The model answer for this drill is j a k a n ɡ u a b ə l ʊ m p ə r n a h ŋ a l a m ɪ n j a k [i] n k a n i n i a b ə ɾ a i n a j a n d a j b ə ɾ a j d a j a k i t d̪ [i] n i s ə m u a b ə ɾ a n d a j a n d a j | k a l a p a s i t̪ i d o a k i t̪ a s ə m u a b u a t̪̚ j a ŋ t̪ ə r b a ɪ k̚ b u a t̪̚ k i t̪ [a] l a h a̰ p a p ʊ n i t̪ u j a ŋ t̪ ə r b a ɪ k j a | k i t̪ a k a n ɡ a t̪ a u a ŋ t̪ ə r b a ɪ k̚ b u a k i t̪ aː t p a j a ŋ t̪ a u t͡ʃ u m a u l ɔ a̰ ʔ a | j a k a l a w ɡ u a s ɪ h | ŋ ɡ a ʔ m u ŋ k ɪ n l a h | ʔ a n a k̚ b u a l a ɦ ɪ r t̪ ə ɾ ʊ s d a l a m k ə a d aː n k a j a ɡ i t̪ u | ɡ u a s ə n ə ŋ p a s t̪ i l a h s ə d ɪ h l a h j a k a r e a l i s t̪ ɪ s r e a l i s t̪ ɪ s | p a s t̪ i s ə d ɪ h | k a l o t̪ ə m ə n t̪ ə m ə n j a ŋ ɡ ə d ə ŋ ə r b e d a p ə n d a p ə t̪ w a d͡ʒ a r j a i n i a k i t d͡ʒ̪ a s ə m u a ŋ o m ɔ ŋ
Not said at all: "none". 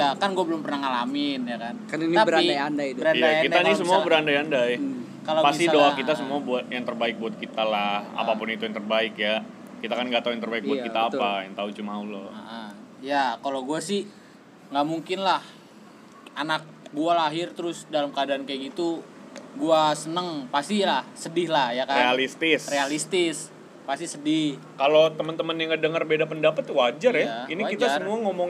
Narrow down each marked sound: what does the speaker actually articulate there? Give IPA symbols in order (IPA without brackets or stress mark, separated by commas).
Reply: a, a, a